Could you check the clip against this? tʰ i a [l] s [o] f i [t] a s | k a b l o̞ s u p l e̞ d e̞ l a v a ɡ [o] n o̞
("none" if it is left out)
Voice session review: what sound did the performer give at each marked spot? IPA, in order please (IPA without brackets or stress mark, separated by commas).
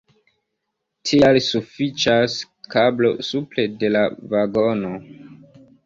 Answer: l, u, t͡ʃ, o